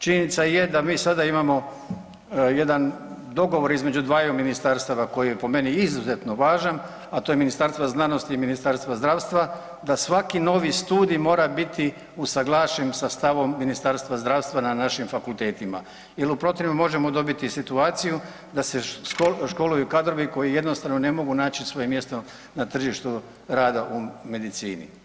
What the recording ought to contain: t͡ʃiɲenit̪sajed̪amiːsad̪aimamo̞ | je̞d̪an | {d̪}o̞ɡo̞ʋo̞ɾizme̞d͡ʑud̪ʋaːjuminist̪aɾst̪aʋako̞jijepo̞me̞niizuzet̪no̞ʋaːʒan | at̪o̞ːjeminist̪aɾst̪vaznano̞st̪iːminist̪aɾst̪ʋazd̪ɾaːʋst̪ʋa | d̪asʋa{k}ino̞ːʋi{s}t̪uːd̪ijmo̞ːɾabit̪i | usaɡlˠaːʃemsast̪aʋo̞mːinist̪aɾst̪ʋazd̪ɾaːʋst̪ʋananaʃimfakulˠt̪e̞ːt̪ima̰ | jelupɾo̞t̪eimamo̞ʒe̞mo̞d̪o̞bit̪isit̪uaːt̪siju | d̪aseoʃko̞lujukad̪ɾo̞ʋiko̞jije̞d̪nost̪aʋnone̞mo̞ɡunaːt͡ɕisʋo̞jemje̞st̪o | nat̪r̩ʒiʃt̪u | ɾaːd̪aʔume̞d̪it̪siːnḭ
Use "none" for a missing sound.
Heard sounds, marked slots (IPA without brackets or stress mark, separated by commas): d̪, k, s